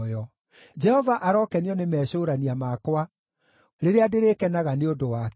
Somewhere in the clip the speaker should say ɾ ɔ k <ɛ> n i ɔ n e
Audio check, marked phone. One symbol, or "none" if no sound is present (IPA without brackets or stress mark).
ɛ